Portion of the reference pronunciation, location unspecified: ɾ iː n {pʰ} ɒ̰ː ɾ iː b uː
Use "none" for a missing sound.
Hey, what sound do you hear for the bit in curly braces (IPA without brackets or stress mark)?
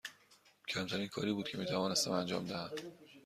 kʰ